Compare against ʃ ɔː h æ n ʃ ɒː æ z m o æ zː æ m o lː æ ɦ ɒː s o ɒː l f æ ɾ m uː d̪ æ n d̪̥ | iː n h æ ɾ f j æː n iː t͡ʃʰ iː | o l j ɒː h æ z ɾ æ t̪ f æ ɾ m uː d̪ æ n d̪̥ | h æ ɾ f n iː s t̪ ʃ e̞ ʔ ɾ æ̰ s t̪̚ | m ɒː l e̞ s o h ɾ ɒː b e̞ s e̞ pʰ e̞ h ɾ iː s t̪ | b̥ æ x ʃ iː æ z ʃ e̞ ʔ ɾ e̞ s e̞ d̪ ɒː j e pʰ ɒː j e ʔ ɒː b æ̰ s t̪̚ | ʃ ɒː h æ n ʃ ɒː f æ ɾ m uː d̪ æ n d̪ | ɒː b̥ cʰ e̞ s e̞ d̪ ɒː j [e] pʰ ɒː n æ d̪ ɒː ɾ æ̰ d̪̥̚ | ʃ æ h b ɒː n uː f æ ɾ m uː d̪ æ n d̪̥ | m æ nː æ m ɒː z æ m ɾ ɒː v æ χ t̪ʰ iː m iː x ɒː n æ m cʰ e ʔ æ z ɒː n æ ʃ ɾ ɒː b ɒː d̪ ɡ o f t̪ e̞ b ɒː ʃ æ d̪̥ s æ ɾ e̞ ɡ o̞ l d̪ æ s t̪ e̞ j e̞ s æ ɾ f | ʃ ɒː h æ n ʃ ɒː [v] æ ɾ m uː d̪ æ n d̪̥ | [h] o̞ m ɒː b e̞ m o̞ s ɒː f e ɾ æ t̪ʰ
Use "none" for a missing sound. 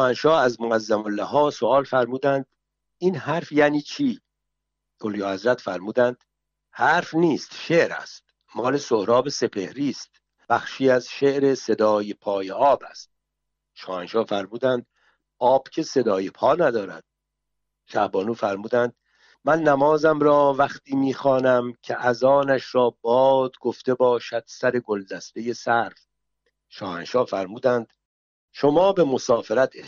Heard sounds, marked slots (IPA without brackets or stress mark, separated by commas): e, f, ʃ